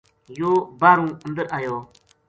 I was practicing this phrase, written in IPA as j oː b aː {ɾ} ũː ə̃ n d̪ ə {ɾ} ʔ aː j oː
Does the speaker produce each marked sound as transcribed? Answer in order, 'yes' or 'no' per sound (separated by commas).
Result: yes, yes